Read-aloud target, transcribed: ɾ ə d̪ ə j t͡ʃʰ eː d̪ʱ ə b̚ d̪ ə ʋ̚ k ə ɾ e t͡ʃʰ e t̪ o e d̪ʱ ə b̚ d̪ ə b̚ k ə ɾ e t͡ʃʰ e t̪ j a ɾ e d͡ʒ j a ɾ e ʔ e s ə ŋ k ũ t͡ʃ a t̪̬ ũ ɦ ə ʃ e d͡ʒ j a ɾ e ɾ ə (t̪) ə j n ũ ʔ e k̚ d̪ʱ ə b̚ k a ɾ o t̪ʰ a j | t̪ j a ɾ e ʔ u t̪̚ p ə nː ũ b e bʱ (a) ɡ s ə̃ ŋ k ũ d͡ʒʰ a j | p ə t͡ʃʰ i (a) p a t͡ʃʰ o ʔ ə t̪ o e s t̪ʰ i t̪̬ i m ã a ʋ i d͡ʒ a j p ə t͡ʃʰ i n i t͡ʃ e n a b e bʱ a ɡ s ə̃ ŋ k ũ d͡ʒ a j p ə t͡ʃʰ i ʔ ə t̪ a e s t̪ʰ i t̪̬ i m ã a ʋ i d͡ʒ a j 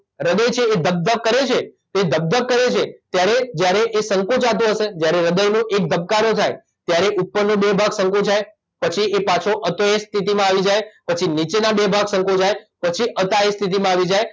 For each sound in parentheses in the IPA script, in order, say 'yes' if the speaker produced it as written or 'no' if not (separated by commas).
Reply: no, yes, no